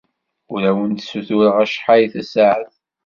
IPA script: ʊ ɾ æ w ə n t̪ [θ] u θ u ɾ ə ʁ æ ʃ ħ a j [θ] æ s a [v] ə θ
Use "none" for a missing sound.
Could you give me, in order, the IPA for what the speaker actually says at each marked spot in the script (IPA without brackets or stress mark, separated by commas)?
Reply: s, θ, ʕ